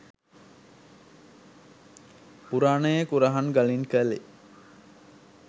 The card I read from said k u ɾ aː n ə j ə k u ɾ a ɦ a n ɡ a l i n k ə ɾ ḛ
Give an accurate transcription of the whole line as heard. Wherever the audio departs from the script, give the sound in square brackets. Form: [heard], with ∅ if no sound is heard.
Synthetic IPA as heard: [p] u ɾ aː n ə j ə k u ɾ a ɦ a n ɡ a l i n k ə [l] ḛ